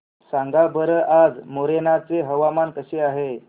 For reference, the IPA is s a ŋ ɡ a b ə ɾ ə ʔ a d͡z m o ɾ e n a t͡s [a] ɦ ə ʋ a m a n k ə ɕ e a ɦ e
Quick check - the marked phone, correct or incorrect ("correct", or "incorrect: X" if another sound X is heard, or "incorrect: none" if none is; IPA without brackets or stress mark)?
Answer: incorrect: e